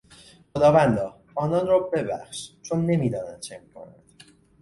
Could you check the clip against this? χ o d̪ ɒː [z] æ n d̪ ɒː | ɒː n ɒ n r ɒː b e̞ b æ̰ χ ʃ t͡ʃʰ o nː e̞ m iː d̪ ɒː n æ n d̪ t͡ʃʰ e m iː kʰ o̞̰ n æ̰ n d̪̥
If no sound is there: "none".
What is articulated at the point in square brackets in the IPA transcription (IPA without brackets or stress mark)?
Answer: v